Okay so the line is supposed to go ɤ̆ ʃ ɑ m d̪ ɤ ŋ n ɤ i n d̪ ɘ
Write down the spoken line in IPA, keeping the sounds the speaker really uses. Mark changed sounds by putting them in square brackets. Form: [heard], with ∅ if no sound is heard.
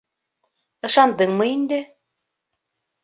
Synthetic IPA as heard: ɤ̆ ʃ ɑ [n] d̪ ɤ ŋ [m] ɤ i n d̪ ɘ